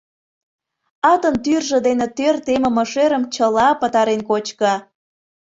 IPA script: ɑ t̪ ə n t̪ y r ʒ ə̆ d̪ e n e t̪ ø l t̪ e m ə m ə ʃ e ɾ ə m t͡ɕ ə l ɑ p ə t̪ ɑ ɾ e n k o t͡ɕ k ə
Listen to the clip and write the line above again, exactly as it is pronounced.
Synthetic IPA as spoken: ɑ t̪ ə n t̪ y r ʒ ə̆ d̪ e n e t̪ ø r t̪ e m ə m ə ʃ e ɾ ə m t͡ɕ ə l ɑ p ə t̪ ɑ ɾ e n k o t͡ɕ k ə